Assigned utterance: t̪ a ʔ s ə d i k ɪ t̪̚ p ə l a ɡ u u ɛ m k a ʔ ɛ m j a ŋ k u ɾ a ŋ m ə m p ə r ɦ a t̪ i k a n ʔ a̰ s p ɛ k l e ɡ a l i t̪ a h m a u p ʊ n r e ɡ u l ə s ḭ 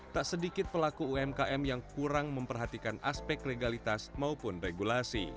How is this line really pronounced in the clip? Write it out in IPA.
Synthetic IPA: t̪ a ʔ s ə d i k ɪ t̪̚ p ə l a k u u ɛ m k a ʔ ɛ m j a ŋ k u ɾ a ŋ m ə m p ə r ɦ a t̪ i k a n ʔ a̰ s p ɛ k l e ɡ a l i t̪ a s m a u p ʊ n r e ɡ u l a s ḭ